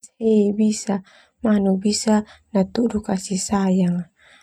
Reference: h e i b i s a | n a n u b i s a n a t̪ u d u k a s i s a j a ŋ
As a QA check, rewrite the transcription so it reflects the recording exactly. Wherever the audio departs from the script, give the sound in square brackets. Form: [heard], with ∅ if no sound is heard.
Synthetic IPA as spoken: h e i b i s a | [m] a n u b i s a n a t̪ u d u k a s i s a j a ŋ